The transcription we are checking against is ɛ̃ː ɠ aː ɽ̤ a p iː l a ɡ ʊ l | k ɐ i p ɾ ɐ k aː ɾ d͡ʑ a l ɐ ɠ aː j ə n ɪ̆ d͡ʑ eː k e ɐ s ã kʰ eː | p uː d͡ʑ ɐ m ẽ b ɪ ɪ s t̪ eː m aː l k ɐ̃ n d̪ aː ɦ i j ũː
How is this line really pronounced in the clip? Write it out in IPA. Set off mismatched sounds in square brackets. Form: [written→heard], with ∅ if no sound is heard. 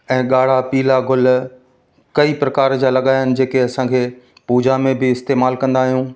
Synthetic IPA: ɛ̃ː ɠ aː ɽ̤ a p iː l a ɡ ʊ l | k ɐ i p ɾ ɐ k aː ɾ d͡ʑ a l ɐ ɠ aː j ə n ɪ̆ d͡ʑ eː k e ɐ s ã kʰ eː | p uː d͡ʑ [ɐ→a] m ẽ b ɪ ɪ s t̪ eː m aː l k ɐ̃ n d̪ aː ɦ i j ũː